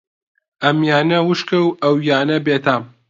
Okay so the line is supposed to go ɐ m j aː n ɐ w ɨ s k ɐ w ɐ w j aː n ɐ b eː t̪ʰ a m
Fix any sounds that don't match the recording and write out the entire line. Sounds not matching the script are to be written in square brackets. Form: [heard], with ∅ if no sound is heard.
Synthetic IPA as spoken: ɐ m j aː n ɐ w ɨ [ʃ] k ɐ w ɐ w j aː n ɐ b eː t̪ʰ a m